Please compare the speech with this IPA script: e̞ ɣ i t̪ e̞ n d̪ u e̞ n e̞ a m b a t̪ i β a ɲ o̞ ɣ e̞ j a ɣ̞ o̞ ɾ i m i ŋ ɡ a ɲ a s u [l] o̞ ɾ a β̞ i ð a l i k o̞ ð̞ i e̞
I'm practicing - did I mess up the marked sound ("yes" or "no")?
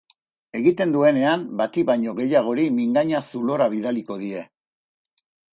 no